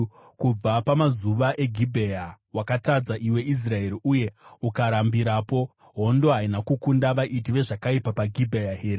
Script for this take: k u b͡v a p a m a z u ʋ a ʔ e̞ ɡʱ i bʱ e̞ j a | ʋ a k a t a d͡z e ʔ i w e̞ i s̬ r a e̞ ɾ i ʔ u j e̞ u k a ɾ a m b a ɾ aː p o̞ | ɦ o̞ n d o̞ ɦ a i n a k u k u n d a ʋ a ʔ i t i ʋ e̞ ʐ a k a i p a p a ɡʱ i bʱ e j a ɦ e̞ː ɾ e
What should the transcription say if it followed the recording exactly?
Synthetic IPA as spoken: k u b͡v a p a m a z u ʋ a ʔ e̞ ɡʱ i bʱ e̞ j a | w a k a t a d͡z a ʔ i w e̞ i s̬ r a e̞ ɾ i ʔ u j e̞ u k a ɾ a m b i ɾ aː p o̞ | ɦ o̞ n d o̞ ɦ a i n a k u k u n d a ʋ a ʔ i t i ʋ e̞ ʐ a k a i p a p a ɡʱ i bʱ e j a ɦ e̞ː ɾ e